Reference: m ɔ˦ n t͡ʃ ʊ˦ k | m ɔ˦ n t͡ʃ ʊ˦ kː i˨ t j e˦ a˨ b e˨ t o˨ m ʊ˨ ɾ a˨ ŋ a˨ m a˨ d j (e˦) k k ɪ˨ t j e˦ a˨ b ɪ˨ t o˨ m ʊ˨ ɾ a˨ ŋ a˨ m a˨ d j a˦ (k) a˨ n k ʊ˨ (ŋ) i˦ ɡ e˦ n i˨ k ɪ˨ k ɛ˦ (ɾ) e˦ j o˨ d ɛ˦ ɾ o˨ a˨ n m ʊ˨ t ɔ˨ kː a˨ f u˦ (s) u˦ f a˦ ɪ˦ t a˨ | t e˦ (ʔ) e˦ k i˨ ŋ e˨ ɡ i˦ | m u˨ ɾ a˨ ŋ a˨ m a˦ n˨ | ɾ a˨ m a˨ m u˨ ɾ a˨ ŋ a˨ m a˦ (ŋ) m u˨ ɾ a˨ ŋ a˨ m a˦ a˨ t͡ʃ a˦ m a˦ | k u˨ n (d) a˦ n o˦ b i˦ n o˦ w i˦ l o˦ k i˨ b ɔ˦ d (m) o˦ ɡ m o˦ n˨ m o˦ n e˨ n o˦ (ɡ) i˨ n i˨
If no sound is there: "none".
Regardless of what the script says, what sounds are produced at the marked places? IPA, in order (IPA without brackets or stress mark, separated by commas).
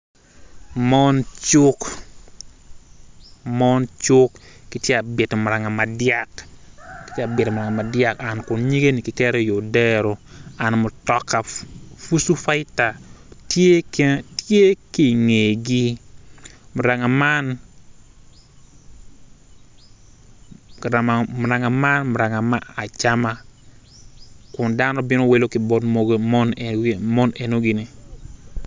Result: a˦, k, ɲ, ɾ, s, t, n, d, m, ɡ